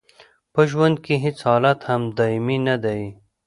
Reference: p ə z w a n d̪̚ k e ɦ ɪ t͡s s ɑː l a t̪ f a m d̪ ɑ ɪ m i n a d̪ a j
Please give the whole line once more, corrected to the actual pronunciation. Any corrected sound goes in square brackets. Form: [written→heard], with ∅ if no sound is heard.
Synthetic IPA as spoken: p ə [z→ʒ] w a n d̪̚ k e ɦ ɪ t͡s [s→h] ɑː l a t̪ [f→h] a m d̪ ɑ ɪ m i n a d̪ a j